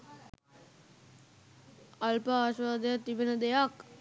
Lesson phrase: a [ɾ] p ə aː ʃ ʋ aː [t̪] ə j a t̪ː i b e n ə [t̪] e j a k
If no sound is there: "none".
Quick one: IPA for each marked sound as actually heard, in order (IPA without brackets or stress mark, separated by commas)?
l, d̪, d̪